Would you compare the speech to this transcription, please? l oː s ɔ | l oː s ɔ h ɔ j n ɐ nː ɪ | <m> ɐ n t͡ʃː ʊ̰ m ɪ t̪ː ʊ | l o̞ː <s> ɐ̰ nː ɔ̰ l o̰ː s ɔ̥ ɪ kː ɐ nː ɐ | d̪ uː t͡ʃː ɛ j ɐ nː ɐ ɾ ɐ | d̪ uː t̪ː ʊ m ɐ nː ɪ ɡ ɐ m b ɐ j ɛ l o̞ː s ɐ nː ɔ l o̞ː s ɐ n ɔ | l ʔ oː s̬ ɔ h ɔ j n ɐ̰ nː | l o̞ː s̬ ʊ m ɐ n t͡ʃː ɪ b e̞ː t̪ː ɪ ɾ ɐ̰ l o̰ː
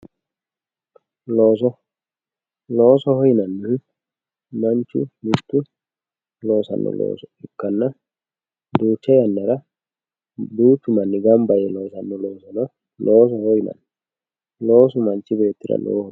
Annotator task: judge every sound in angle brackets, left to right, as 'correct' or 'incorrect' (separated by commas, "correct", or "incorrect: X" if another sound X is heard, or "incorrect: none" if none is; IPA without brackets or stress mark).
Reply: correct, correct